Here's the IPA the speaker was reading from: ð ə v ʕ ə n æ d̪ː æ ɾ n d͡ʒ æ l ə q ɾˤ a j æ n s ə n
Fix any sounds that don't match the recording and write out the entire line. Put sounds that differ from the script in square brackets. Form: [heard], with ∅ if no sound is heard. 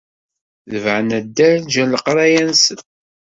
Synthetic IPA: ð ə v ʕ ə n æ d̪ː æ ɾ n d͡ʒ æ l ə q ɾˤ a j æ n s ə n